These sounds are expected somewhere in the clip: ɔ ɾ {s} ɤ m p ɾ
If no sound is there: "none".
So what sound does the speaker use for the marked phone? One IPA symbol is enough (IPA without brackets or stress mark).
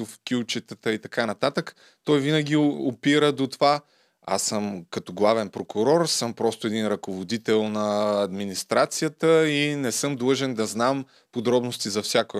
s